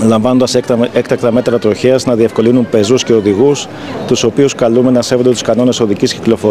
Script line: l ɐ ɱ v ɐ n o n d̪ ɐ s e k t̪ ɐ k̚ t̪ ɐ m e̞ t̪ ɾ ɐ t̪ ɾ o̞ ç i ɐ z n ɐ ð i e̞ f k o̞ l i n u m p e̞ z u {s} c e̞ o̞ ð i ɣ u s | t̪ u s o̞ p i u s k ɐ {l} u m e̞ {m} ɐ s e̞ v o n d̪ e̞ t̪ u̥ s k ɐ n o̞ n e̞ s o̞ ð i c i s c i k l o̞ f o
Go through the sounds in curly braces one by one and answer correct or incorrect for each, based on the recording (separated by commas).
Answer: correct, correct, incorrect